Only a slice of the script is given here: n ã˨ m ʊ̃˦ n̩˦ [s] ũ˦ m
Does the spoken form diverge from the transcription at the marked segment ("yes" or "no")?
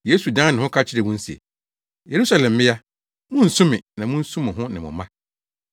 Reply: no